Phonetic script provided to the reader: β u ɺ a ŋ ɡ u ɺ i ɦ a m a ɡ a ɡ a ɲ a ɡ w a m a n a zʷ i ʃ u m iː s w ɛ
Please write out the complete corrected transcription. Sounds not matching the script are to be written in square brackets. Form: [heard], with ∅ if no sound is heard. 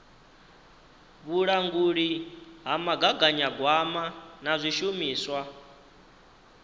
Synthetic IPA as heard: β u ɺ a ŋ ɡ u ɺ i ɦ a m a ɡ a ɡ a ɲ a ɡ w a m a n a zʷ i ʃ u m iː s w [a]

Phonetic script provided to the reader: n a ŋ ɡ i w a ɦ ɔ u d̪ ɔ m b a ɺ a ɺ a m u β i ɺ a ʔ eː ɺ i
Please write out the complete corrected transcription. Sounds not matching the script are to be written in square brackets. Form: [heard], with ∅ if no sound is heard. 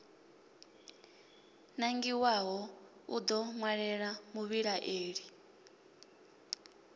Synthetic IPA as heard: n a ŋ ɡ i w a ɦ ɔ u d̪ ɔ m [w] a ɺ [ɛ] ɺ a m u β i ɺ a ʔ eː ɺ i

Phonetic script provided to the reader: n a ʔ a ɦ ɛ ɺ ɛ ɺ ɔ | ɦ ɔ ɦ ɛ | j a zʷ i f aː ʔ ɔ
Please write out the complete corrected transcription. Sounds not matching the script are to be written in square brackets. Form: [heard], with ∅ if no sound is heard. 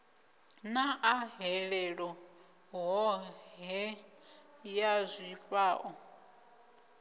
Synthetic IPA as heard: n a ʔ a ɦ ɛ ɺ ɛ ɺ ɔ | ɦ ɔ ɦ ɛ | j a zʷ i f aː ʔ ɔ

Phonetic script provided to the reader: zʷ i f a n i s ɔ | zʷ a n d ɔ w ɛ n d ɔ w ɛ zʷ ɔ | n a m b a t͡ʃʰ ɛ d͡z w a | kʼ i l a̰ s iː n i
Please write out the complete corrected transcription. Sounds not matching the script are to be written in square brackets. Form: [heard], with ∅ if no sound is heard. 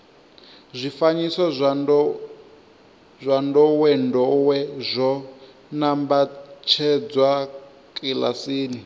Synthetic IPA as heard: zʷ i f a [ɲ] i s ɔ | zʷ a n d ɔ w ɛ n d ɔ w ɛ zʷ ɔ | n a m b a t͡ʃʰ ɛ d͡z w a | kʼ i l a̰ s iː n i

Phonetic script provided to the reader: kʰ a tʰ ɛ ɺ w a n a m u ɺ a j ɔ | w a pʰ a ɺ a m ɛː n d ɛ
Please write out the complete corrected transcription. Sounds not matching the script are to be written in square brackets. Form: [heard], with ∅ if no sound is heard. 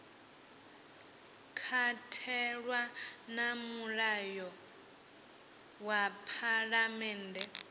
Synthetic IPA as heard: kʰ a tʰ ɛ ɺ w a n a m u ɺ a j ɔ | w a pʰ a ɺ a m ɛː n d ɛ

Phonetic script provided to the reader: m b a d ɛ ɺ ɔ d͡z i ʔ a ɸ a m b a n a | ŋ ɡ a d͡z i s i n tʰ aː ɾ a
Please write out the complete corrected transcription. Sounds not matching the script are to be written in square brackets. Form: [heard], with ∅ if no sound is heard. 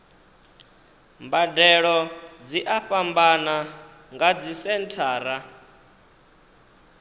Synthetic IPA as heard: m b a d ɛ ɺ ɔ d͡z i ʔ a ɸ a m b a n a | ŋ ɡ a d͡z i s [ɛ] n tʰ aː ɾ a

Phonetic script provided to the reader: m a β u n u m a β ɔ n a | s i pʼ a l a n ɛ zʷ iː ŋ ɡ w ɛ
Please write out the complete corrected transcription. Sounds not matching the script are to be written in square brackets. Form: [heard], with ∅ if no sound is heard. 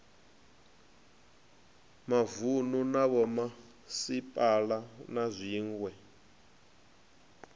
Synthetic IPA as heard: m a [v] u n u [n] a β ɔ [m] a | s i pʼ a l a n [a] zʷ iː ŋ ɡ w ɛ

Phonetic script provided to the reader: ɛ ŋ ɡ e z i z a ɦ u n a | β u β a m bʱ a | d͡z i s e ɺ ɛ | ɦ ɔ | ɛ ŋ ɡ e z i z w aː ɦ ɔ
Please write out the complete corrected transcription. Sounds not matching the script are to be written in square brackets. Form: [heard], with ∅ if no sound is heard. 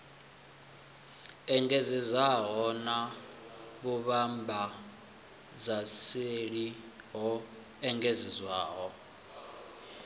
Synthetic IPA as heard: ɛ ŋ ɡ e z i z a ɦ [ɔ] n a | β u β a m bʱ a | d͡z [a] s e ɺ [i] | ɦ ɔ | ɛ ŋ ɡ e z i z w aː ɦ ɔ

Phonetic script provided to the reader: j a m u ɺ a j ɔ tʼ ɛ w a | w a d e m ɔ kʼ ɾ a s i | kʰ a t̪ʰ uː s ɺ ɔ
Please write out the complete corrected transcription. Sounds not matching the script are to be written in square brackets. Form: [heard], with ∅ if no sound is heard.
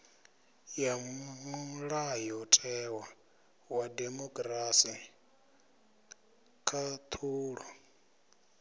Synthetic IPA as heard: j a m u ɺ a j ɔ tʼ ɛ w a | w a d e m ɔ kʼ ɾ a s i | kʰ a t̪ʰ uː [∅] ɺ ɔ

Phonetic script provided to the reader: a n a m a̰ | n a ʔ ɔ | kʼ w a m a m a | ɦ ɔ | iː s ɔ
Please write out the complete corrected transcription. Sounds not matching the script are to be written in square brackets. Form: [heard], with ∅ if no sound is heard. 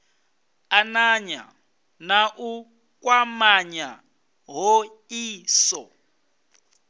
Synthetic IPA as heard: a n a [ɲ] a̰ | n a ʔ [u] | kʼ w a m a [ɲ] a | ɦ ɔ | iː s ɔ

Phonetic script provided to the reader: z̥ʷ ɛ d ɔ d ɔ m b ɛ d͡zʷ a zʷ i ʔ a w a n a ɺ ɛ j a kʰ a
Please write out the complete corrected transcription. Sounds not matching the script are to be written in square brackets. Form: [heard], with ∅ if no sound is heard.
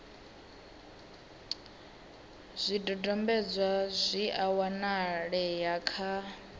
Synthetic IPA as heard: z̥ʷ [i] d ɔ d ɔ m b ɛ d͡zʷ a zʷ i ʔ a w a n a ɺ ɛ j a kʰ a

